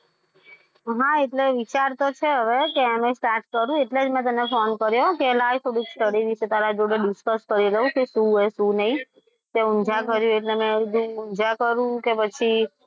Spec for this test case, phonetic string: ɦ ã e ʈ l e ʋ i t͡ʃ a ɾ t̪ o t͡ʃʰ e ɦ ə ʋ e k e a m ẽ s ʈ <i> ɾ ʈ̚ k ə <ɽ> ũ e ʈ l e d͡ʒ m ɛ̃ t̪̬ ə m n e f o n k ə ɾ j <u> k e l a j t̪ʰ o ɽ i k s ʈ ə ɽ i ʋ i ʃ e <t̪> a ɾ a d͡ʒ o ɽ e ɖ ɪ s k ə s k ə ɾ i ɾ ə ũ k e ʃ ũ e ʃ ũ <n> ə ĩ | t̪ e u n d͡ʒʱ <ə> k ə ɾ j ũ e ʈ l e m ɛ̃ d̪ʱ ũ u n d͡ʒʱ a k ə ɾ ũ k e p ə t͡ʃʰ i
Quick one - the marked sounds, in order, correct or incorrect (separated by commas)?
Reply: incorrect, incorrect, incorrect, correct, correct, incorrect